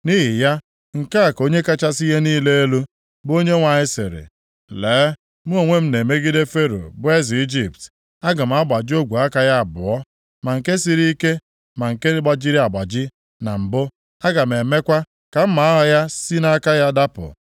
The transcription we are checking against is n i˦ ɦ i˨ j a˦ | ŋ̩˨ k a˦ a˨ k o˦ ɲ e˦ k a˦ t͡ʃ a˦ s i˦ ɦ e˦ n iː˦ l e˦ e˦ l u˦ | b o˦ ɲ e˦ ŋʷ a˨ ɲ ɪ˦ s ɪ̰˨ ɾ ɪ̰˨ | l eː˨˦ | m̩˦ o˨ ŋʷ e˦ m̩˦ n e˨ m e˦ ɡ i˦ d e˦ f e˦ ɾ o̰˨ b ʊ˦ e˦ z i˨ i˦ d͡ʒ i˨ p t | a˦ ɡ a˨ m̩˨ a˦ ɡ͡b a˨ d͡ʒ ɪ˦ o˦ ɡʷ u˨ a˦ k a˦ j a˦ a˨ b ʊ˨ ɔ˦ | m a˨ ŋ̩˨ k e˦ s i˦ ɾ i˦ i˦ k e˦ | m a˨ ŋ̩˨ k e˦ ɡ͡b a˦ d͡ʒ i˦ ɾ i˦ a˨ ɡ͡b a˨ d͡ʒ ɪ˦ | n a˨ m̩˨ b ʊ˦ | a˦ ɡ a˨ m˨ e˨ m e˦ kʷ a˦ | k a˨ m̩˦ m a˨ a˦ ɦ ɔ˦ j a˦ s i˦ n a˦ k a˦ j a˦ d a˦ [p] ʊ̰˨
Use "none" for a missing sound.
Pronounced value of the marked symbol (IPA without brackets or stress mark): p